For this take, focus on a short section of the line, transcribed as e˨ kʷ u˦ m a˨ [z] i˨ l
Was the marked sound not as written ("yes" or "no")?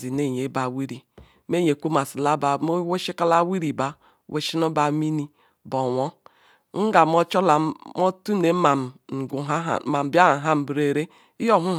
yes